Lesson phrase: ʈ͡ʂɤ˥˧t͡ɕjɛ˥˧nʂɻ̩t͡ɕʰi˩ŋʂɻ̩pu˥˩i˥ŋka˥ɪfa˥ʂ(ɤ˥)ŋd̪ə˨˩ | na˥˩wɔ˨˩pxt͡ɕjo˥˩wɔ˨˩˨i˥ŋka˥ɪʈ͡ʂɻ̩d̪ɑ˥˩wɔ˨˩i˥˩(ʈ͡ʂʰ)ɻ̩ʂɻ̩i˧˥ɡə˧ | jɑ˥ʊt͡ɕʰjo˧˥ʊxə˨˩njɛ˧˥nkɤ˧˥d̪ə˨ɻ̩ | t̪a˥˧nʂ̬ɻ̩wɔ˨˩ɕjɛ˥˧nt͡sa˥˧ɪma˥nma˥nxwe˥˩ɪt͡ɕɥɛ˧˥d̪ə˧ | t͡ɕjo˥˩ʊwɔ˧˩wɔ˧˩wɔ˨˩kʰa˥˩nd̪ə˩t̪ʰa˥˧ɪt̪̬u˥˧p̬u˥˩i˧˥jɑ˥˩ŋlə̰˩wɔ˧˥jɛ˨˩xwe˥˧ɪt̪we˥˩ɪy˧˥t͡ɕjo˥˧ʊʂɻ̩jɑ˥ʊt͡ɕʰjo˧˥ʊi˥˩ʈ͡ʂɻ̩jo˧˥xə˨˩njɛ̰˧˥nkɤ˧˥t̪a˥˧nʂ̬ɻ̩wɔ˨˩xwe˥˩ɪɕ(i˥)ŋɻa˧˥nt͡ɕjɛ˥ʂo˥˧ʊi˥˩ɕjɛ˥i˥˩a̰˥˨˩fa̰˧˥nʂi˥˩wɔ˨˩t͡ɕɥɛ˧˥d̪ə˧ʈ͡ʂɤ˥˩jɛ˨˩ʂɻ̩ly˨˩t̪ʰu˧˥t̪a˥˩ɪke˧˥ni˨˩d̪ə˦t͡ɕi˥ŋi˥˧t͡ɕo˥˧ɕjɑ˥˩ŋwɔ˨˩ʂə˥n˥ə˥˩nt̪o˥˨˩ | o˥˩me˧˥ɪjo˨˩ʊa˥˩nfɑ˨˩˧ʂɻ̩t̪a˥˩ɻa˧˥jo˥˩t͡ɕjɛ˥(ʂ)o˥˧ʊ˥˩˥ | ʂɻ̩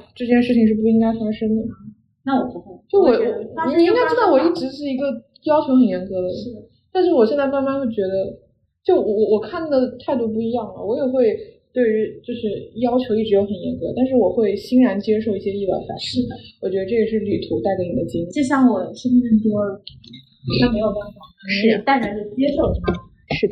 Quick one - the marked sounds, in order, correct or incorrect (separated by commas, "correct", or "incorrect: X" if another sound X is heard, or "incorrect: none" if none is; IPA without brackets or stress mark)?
correct, incorrect: ʈ͡ʂ, correct, correct